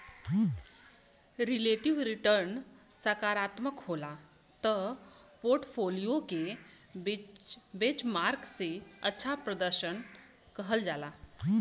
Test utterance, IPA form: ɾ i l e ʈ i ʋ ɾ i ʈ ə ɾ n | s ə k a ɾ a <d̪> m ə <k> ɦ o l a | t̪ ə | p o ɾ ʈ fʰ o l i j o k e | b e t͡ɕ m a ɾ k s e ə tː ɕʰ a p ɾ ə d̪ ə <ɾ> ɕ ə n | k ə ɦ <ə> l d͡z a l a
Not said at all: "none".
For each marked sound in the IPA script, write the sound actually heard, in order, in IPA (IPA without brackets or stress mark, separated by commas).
t̪, k, ɾ, ə